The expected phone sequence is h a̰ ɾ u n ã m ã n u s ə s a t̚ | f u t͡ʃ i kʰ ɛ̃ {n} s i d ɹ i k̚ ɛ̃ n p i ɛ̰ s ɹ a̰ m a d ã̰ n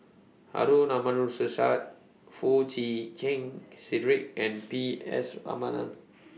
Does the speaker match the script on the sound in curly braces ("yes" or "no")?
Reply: no